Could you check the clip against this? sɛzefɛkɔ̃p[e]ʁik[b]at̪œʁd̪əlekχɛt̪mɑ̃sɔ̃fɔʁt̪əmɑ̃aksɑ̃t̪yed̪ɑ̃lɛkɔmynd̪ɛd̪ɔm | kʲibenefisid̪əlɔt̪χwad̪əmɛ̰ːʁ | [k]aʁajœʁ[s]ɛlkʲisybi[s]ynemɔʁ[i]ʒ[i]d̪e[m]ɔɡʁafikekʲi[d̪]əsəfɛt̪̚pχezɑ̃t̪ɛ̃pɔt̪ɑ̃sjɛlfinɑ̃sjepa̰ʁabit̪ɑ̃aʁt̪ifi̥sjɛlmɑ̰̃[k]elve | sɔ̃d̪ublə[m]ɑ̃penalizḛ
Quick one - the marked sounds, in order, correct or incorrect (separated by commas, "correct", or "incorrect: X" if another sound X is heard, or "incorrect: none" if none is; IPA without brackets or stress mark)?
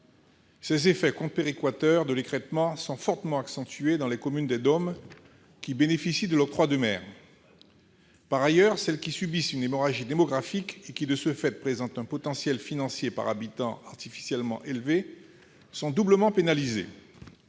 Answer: correct, incorrect: w, incorrect: p, correct, correct, incorrect: a, correct, correct, correct, incorrect: ʔ, correct